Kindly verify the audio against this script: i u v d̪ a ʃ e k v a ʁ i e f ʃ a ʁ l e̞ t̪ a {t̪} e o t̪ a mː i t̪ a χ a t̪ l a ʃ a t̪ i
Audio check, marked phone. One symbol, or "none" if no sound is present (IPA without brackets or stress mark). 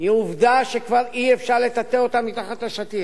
t̪